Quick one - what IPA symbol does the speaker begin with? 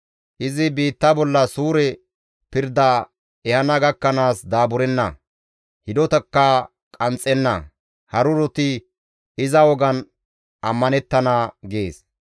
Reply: ʔ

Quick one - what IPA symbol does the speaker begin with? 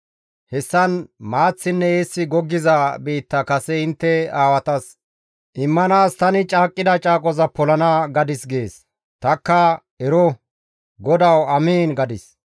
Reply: h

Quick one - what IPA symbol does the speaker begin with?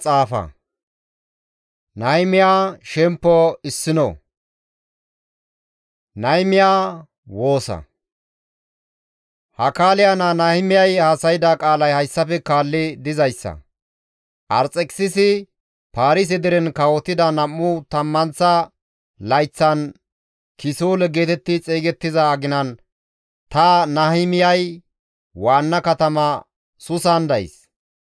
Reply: t͡sʼ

